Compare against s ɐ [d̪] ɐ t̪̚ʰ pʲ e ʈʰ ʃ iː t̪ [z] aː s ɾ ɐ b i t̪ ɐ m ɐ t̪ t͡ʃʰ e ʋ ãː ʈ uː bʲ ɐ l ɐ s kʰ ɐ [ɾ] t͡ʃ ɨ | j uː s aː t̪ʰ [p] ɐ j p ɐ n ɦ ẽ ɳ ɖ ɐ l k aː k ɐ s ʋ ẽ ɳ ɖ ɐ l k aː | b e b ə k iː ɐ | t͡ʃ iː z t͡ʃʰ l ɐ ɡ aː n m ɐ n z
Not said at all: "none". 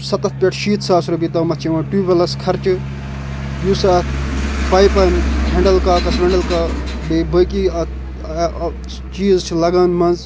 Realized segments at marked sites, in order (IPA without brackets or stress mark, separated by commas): t̪, s, ɾ, p